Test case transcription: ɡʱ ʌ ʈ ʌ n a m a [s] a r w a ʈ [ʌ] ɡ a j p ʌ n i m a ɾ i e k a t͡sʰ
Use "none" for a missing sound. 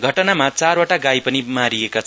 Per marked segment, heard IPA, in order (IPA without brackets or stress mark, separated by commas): t͡s, a